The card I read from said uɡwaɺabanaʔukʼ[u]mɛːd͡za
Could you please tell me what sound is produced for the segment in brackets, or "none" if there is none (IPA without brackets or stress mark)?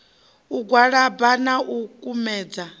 u